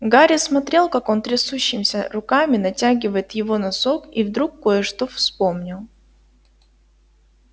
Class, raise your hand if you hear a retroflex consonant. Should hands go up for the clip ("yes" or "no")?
yes